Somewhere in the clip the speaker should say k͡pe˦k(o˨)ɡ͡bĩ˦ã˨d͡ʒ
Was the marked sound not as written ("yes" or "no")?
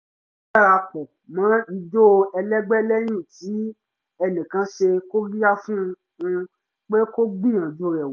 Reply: yes